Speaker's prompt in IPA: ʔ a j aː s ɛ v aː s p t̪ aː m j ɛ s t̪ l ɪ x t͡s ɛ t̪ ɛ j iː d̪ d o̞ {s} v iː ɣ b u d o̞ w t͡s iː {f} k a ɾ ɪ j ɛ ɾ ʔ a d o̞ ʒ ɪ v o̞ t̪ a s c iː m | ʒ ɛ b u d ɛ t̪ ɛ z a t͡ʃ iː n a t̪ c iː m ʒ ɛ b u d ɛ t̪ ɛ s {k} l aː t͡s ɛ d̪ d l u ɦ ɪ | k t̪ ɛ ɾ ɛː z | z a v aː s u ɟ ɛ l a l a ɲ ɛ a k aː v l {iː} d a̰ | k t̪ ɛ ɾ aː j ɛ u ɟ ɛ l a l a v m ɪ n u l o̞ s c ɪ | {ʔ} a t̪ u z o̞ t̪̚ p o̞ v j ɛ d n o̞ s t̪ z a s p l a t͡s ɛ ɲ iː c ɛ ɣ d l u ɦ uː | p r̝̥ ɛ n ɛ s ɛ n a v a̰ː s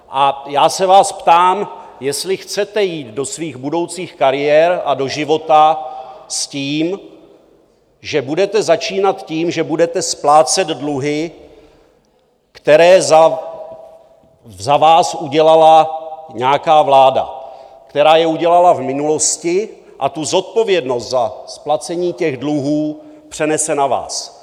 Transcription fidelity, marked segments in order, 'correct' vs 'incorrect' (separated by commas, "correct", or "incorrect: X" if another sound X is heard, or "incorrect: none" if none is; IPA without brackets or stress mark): correct, incorrect: x, incorrect: p, incorrect: aː, correct